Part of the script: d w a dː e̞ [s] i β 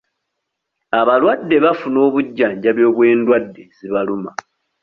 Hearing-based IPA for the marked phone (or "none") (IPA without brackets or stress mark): z